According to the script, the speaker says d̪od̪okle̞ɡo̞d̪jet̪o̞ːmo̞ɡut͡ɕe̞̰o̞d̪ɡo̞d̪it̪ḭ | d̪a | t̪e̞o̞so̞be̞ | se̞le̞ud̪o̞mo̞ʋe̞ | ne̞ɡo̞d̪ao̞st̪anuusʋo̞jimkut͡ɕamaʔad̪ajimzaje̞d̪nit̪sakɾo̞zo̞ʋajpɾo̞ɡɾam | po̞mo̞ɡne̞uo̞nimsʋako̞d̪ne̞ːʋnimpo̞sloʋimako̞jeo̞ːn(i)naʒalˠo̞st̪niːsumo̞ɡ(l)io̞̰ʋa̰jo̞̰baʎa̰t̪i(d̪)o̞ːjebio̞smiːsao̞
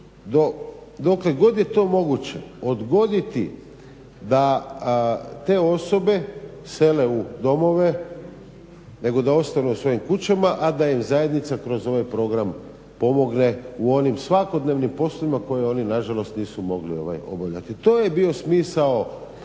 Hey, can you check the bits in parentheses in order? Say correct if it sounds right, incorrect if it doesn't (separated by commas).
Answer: correct, correct, incorrect